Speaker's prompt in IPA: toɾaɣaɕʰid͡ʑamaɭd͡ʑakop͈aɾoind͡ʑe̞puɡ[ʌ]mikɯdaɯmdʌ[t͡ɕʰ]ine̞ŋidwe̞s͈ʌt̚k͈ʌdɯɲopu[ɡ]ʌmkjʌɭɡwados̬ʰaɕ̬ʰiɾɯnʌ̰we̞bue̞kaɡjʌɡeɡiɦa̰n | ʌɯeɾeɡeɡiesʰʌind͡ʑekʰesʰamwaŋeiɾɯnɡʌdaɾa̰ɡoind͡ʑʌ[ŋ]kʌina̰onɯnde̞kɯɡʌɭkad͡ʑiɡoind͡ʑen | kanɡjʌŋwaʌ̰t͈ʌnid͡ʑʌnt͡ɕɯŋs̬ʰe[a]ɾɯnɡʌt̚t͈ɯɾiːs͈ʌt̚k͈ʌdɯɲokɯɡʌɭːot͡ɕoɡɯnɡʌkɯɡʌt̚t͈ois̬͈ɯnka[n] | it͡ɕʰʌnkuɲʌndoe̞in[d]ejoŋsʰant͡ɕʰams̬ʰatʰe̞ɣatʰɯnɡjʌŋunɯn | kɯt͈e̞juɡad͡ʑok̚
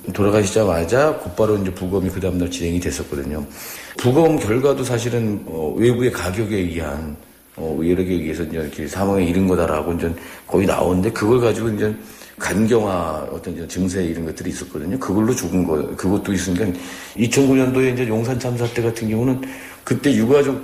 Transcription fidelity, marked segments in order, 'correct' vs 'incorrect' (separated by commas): correct, incorrect, correct, incorrect, incorrect, correct, incorrect